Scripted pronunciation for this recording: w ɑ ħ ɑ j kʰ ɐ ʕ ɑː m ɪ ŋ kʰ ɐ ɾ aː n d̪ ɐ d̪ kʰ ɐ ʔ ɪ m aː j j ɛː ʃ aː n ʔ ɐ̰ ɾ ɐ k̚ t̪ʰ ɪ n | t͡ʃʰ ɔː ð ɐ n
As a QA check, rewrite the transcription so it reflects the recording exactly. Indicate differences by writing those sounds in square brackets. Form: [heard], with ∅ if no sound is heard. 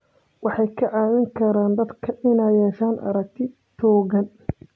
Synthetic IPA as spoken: w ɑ ħ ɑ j kʰ ɐ ʕ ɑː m ɪ ŋ kʰ ɐ ɾ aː n d̪ ɐ d̪ kʰ ɐ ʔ ɪ [n] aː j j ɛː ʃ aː n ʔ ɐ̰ ɾ ɐ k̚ t̪ʰ ɪ [∅] | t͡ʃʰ ɔː [ɣ] ɐ n